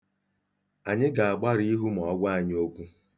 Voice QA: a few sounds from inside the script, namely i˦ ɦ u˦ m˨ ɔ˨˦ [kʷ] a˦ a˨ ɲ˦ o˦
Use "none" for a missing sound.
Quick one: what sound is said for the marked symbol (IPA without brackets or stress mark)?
ɡʷ